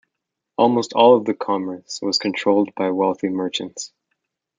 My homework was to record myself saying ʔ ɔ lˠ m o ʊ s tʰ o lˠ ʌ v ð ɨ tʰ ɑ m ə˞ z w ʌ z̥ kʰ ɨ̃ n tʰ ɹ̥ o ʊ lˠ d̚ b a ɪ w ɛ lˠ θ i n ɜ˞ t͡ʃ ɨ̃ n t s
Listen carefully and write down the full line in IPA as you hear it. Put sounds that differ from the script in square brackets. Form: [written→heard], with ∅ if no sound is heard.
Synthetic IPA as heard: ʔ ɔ lˠ m o ʊ s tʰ [o→ɔ] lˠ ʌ v ð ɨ [tʰ→kʰ] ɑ m ə˞ [z→s] w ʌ z̥ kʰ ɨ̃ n tʰ ɹ̥ o ʊ lˠ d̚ b a ɪ w ɛ lˠ θ i [n→m] ɜ˞ t͡ʃ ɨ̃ n t s